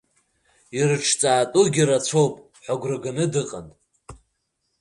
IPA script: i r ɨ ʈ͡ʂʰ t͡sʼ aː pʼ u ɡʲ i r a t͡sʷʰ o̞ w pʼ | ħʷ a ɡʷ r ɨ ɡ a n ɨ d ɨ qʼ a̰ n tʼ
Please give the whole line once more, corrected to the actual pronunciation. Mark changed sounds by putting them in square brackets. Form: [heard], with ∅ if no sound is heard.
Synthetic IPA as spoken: i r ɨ ʈ͡ʂʰ t͡sʼ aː [tʼ] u ɡʲ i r a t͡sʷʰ o̞ w pʼ | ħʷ a ɡʷ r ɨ ɡ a n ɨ d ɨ qʼ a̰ n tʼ